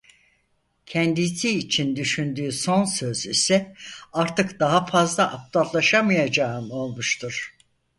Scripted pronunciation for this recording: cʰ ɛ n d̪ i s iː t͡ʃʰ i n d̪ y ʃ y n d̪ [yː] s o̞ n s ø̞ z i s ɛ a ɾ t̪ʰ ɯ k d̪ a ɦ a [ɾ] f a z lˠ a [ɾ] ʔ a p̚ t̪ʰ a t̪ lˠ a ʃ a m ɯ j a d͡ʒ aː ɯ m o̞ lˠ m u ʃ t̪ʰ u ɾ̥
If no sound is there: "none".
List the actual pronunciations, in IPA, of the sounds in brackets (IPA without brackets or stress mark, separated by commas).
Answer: yː, none, none